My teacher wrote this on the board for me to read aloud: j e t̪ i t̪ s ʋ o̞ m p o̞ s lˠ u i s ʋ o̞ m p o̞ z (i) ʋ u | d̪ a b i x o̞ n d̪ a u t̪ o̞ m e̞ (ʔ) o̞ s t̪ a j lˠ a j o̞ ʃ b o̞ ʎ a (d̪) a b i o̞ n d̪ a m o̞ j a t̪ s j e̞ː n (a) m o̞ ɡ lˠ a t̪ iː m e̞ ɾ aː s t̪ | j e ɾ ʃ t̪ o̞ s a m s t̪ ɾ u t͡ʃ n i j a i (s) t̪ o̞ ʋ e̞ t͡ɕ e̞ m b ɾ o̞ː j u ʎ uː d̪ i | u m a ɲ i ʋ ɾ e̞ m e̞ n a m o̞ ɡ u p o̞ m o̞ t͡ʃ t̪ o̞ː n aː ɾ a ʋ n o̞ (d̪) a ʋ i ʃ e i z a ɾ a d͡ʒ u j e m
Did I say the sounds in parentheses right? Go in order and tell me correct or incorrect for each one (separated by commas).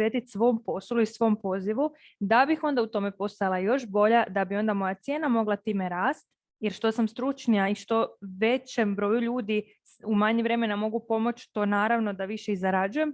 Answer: correct, incorrect, correct, correct, incorrect, correct